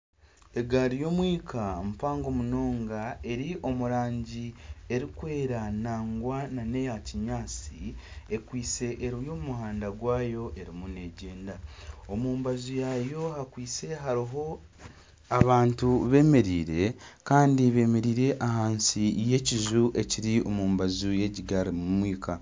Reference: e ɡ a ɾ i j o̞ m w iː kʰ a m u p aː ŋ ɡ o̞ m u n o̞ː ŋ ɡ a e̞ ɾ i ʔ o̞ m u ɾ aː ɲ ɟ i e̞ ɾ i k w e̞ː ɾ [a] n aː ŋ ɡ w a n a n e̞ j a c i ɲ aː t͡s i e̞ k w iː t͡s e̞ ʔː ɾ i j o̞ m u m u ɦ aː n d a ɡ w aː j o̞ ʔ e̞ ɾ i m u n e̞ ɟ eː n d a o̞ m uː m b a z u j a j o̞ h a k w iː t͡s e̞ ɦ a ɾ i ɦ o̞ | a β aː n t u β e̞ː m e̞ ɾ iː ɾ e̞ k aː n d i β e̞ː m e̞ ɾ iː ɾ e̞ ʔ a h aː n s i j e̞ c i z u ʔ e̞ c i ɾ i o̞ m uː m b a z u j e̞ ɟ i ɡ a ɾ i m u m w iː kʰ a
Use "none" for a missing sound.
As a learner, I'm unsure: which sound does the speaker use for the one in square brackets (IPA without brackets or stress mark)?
a